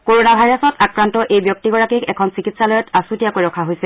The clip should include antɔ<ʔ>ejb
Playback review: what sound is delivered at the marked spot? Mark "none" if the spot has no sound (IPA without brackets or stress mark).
ʔ